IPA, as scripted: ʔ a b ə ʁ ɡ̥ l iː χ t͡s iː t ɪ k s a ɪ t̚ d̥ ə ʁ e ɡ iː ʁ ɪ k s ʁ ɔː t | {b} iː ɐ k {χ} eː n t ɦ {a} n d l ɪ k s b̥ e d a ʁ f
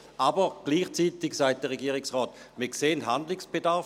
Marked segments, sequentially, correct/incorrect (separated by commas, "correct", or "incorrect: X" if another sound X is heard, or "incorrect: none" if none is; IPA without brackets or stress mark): incorrect: m, incorrect: s, correct